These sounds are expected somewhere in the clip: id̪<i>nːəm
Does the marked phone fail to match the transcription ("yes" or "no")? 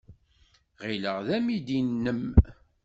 no